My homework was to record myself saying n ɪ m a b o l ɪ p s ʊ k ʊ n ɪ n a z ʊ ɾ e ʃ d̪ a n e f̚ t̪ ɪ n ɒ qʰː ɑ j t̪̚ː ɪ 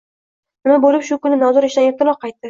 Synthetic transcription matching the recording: n ɪ m a b o l ɪ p ʃ ʊ k ʊ n ɪ n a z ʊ ɾ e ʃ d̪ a n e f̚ t̪ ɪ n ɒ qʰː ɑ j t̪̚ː ɪ